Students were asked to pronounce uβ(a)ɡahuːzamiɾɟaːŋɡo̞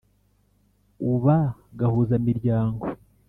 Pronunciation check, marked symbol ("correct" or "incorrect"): correct